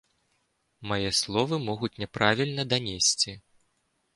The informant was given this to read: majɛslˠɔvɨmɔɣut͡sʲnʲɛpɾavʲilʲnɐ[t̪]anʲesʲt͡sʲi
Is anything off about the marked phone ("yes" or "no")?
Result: yes